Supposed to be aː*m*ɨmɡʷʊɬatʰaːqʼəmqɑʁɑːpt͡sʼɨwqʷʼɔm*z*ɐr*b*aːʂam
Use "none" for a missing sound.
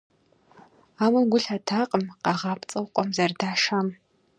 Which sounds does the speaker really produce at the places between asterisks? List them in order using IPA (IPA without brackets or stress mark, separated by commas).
m, z, d